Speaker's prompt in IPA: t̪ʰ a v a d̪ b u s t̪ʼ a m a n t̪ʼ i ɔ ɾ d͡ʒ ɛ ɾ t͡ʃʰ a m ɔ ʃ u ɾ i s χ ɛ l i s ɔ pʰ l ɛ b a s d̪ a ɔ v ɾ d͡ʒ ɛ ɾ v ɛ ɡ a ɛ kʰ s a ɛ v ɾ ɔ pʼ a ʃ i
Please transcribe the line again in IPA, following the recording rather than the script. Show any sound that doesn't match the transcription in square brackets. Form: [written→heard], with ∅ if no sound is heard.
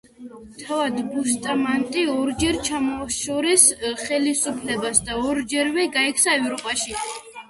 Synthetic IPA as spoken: t̪ʰ a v a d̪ b u s t̪ʼ a m a n t̪ʼ i ɔ ɾ d͡ʒ ɛ ɾ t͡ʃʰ a m ɔ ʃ [u→ɔ] ɾ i s χ ɛ l i s [ɔ→u] pʰ l ɛ b a s d̪ a ɔ [v→∅] ɾ d͡ʒ ɛ ɾ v ɛ ɡ a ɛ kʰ s a ɛ v ɾ ɔ pʼ a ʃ i